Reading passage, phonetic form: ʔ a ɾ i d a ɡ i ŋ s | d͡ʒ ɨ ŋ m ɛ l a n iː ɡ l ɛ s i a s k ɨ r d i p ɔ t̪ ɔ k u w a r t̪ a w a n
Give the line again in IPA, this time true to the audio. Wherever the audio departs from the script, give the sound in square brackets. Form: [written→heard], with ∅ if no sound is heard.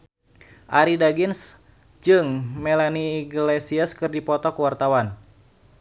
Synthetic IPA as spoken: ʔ a ɾ i d a ɡ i [ŋ→n] s | d͡ʒ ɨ ŋ m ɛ l a n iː ɡ l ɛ s i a s k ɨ r d i p ɔ t̪ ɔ k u w a r t̪ a w a n